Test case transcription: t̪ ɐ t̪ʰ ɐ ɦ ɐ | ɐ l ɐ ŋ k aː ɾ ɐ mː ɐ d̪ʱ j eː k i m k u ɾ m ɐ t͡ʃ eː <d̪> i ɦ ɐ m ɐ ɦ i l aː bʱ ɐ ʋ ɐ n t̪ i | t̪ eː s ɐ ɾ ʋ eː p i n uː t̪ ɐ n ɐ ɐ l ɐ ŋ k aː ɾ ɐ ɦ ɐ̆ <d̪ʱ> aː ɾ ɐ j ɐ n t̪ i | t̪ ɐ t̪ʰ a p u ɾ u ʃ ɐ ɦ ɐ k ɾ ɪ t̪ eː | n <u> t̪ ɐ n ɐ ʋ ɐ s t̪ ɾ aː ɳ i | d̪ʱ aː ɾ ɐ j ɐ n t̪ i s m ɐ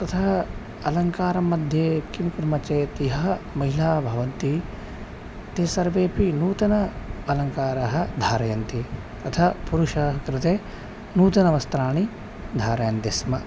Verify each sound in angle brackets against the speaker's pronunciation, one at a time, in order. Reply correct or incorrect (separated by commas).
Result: incorrect, correct, incorrect